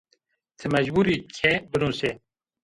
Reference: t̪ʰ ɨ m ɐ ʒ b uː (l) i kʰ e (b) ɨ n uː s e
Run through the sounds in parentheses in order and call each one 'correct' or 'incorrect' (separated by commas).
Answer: incorrect, correct